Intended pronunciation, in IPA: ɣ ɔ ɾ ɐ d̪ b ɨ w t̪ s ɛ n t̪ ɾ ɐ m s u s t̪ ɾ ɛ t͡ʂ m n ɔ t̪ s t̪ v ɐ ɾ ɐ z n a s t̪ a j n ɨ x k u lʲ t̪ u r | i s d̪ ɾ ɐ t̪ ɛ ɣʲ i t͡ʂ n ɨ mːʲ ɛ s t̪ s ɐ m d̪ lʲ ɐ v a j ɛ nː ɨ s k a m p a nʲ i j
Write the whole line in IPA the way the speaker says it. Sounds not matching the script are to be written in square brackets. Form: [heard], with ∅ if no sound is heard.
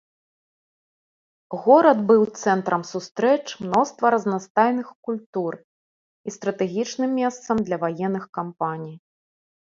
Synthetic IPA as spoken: ɣ ɔ ɾ ɐ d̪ b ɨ w t̪ s ɛ n t̪ ɾ ɐ m s u s t̪ ɾ ɛ t͡ʂ m n ɔ [∅] s t̪ v ɐ ɾ ɐ z n a s t̪ a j n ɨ x k u lʲ t̪ u r | i s [t̪] ɾ ɐ t̪ ɛ ɣʲ i t͡ʂ n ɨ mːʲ ɛ s t̪ s ɐ m d̪ lʲ ɐ v a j ɛ nː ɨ [x] k a m p a nʲ i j

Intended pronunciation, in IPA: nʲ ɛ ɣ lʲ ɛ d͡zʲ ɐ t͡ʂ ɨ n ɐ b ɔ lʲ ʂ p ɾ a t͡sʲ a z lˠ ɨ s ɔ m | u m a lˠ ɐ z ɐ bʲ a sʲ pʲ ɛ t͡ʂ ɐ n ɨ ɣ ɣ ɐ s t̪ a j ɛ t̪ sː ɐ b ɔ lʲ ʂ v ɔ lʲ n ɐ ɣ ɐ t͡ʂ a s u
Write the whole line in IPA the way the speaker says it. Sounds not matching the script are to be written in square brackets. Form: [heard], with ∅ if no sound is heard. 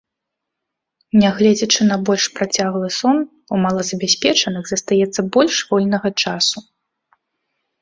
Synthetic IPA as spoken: nʲ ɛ ɣ lʲ ɛ d͡zʲ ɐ t͡ʂ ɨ n ɐ b ɔ lʲ ʂ p ɾ a t͡sʲ a [ɣ] lˠ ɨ s ɔ [n] | u m a lˠ ɐ z ɐ bʲ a sʲ pʲ ɛ t͡ʂ ɐ n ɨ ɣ [z] ɐ s t̪ a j ɛ t̪ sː ɐ b ɔ lʲ ʂ v ɔ lʲ n ɐ ɣ ɐ t͡ʂ a s u

